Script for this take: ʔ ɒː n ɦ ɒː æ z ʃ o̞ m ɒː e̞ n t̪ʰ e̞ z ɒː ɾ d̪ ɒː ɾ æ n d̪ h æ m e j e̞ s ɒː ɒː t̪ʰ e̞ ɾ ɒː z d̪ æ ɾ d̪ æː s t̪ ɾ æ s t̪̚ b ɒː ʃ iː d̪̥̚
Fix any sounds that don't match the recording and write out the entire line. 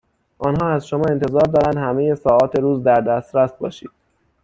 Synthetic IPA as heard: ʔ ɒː n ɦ ɒː æ z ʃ o̞ m ɒː e̞ n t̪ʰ e̞ z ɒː ɾ d̪ ɒː ɾ æ n d̪ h æ m e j e̞ s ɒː ɒː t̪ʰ e̞ ɾ uː z d̪ æ ɾ d̪ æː s t̪ ɾ æ s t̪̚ b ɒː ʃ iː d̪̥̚